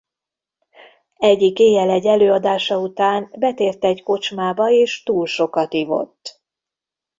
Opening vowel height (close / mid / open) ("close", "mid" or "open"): mid